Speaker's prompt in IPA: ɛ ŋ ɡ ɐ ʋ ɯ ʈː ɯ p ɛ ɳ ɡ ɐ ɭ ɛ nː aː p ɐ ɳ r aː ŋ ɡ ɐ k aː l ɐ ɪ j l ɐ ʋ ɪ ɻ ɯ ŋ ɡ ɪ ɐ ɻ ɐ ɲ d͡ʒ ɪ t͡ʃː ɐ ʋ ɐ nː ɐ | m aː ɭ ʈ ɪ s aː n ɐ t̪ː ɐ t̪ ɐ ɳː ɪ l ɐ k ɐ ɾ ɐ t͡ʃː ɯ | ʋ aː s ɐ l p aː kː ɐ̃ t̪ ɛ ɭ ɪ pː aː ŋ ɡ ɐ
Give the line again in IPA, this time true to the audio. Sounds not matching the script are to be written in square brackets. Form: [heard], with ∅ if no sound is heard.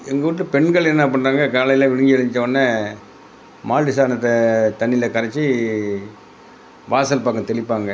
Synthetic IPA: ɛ ŋ ɡ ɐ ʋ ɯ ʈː ɯ p ɛ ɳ ɡ ɐ ɭ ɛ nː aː p ɐ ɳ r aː ŋ ɡ ɐ k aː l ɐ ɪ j l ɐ ʋ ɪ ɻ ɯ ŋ ɡ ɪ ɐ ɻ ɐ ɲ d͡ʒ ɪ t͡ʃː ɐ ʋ ɐ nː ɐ | m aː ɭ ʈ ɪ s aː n ɐ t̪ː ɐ t̪ ɐ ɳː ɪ l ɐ k ɐ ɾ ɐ t͡ʃː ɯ | ʋ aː s ɐ l p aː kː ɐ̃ t̪ ɛ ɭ ɪ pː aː ŋ ɡ ɐ